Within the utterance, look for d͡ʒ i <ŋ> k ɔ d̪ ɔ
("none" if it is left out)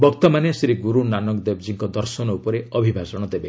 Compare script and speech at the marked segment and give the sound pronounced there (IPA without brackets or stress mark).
ŋ